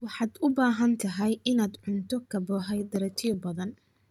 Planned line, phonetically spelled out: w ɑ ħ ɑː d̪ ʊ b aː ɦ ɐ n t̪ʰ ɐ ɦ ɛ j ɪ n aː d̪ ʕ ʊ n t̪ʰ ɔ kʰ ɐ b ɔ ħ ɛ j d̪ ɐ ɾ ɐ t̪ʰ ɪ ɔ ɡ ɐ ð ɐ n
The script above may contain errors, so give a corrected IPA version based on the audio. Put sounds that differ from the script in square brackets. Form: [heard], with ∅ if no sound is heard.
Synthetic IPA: w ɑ ħ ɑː d̪ ʊ b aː ɦ ɐ n t̪ʰ ɐ ɦ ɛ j ɪ n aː d̪ ʕ ʊ n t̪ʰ ɔ kʰ ɐ b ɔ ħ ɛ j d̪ ɐ ɾ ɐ t̪ʰ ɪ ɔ [b] ɐ ð ɐ n